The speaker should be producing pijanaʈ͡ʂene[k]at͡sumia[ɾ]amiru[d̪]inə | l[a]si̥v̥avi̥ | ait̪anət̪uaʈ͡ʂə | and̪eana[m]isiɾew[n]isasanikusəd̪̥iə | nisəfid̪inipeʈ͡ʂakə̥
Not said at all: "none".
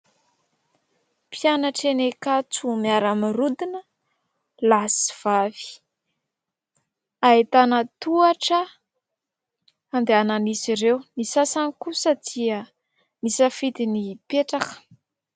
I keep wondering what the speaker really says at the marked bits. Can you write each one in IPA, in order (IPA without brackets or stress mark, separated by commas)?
k, ɾ, d̪, a, n, n